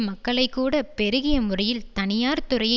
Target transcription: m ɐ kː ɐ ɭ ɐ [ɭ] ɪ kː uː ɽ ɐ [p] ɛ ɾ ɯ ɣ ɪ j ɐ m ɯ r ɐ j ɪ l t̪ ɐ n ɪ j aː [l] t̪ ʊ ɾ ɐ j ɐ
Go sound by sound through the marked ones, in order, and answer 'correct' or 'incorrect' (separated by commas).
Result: incorrect, correct, incorrect